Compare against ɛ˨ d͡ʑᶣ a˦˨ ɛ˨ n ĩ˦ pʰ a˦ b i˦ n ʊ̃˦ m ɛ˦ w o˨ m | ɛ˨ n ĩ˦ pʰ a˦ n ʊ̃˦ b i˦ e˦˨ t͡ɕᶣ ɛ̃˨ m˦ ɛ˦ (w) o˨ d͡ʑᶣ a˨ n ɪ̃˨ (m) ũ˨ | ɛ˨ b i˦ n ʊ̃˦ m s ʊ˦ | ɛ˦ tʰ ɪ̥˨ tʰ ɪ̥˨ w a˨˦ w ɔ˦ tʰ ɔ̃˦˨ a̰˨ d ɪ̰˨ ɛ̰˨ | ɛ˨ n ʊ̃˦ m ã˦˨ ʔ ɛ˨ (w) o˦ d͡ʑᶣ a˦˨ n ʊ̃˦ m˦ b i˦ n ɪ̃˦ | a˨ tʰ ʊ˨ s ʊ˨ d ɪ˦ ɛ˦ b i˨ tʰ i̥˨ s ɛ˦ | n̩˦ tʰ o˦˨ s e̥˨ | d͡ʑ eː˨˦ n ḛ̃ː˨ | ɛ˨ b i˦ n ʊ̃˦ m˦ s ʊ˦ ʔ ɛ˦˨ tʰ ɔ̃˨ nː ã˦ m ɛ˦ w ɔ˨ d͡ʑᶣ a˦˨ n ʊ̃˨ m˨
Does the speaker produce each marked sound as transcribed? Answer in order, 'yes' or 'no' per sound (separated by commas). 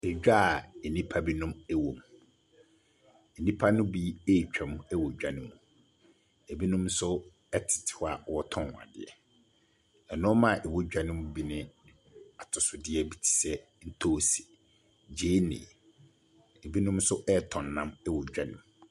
yes, yes, yes